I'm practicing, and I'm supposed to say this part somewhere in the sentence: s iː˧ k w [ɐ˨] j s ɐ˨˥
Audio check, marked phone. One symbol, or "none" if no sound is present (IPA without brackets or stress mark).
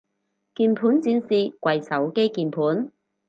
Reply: ɐ˨